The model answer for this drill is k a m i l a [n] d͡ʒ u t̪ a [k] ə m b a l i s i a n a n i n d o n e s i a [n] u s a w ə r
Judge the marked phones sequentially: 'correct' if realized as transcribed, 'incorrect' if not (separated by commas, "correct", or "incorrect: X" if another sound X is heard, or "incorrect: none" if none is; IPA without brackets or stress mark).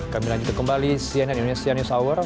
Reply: incorrect: ɲ, correct, correct